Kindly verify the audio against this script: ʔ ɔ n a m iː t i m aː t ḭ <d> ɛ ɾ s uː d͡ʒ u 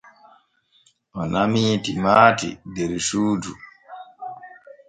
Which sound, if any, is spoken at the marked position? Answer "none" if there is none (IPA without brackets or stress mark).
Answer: d